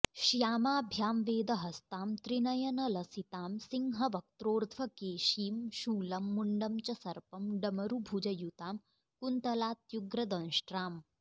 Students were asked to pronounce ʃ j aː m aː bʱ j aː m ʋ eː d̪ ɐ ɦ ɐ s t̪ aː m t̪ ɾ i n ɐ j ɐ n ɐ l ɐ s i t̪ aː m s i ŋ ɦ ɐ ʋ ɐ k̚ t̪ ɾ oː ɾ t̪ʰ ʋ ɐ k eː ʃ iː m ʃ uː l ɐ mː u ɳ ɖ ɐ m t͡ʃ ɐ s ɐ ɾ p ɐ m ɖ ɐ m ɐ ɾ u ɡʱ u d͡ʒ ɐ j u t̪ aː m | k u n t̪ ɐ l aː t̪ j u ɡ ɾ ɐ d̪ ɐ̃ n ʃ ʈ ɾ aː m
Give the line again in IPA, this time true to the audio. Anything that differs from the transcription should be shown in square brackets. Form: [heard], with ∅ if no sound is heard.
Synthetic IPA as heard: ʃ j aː m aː bʱ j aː m ʋ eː d̪ ɐ ɦ ɐ s t̪ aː m t̪ ɾ i n ɐ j ɐ n ɐ l ɐ s i t̪ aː m s i ŋ ɦ ɐ ʋ ɐ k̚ t̪ ɾ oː ɾ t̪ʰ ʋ ɐ k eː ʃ iː m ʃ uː l ɐ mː u ɳ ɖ ɐ m t͡ʃ ɐ s ɐ ɾ p ɐ m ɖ ɐ m ɐ ɾ u [bʱ] u d͡ʒ ɐ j u t̪ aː m | k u n t̪ ɐ l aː t̪ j u ɡ ɾ ɐ d̪ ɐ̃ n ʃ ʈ ɾ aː m